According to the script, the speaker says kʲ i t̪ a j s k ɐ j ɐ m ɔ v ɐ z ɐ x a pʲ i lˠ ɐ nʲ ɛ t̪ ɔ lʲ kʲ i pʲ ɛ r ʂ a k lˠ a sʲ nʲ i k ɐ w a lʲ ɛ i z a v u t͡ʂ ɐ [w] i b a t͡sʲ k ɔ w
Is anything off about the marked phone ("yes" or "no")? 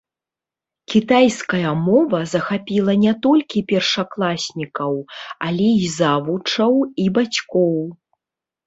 no